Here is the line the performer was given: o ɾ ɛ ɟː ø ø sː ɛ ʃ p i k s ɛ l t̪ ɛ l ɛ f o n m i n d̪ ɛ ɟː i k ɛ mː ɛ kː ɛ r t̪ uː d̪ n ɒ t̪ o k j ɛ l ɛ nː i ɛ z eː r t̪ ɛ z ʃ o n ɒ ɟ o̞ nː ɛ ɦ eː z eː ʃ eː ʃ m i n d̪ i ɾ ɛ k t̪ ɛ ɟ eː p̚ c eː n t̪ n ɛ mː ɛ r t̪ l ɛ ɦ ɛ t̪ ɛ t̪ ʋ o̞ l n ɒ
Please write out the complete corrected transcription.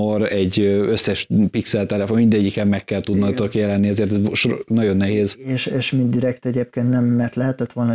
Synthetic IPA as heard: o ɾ ɛ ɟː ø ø sː ɛ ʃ p i k s ɛ l t̪ ɛ l ɛ f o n m i n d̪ ɛ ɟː i k ɛ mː ɛ kː ɛ l t̪ u d̪ n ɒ t̪ o k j ɛ l ɛ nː i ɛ z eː r t̪ ɛ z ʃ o n ɒ ɟ o̞ nː ɛ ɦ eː z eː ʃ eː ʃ m i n d̪ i ɾ ɛ k t̪ ɛ ɟ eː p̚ k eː n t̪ n ɛ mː ɛ r t̪ l ɛ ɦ ɛ t̪ ɛ t̪ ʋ o̞ l n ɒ